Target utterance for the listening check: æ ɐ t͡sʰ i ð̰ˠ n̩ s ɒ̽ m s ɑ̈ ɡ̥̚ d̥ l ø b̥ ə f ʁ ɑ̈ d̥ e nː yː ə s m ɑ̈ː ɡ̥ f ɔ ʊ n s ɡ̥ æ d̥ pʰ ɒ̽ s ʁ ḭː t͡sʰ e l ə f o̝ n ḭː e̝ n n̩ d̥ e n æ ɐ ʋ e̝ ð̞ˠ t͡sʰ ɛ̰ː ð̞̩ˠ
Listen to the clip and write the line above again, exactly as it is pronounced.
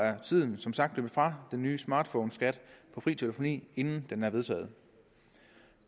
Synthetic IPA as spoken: æ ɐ t͡sʰ i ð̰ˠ n̩ s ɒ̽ m s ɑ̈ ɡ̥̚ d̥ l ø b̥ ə f ʁ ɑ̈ d̥ e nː yː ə s m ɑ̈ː d̥ f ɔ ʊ n s ɡ̥ æ d̥ pʰ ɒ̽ f ʁ ḭː t͡sʰ e l ə f o̝ n ḭː e̝ n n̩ d̥ e n æ ɐ ʋ e̝ ð̞ˠ t͡sʰ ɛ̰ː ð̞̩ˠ